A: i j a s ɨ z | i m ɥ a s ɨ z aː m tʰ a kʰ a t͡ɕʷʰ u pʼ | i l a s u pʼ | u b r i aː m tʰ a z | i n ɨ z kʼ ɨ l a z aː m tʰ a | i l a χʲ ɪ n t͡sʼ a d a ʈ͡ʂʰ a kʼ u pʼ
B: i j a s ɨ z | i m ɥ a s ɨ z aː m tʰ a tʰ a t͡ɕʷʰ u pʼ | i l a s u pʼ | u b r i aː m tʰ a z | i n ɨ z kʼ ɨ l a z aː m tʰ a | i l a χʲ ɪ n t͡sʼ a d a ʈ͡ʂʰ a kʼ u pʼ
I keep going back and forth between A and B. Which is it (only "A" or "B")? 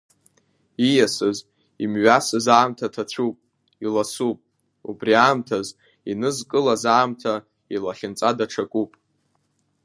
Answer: B